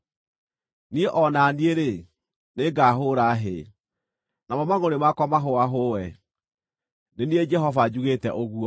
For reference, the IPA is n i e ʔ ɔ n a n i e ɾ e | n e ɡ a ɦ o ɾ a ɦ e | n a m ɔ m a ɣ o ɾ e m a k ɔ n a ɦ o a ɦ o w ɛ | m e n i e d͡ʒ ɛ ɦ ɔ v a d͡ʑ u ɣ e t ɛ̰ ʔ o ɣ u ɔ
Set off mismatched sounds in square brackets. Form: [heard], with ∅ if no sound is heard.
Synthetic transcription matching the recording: n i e ʔ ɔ n a n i e ɾ e | n e ɡ a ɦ o ɾ a ɦ e | n a m ɔ m a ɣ o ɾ e m a k ɔ [m] a ɦ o a ɦ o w ɛ | [n] e n i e d͡ʒ ɛ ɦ ɔ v a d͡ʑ u ɣ e t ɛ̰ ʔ o ɣ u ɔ